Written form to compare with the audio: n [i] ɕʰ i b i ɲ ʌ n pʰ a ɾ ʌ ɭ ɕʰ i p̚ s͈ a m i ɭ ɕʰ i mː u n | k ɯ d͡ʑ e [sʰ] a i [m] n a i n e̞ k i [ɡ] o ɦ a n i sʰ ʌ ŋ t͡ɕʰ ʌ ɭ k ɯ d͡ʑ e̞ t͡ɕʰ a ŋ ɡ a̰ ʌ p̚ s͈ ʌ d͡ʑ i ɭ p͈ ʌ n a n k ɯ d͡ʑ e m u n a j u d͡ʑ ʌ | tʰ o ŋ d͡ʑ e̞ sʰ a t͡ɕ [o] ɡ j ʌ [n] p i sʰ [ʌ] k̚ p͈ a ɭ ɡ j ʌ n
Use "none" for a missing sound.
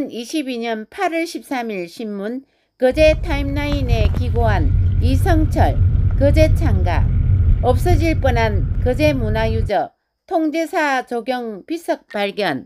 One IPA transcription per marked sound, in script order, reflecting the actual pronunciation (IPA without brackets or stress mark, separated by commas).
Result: i, tʰ, m, ɡ, o, ŋ, ʌ